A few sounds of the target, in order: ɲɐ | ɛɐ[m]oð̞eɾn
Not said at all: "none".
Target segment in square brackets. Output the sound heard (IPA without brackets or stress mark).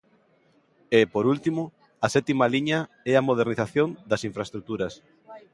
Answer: m